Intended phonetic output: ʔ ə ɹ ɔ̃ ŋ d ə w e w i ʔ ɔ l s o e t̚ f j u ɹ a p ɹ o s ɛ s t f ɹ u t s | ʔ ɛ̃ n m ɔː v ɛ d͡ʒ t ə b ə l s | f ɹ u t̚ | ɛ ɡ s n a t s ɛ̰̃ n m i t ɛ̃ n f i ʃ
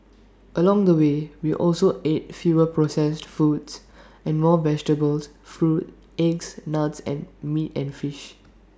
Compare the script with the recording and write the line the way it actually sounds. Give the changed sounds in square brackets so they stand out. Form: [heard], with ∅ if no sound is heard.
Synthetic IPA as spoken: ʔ ə [l] ɔ̃ ŋ d ə w e w i ʔ ɔ l s o e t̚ f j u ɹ [ə] p ɹ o s ɛ s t f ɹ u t s | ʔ ɛ̃ n m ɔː v ɛ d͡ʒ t ə b ə l s | f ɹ u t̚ | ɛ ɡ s n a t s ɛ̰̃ n m i t ɛ̃ n f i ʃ